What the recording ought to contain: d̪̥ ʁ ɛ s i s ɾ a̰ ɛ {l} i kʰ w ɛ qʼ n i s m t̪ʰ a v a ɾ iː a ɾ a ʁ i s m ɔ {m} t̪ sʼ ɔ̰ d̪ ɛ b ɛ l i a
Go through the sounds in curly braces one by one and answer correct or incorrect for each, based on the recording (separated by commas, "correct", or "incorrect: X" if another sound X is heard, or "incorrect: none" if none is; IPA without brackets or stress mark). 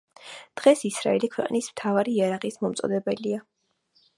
correct, correct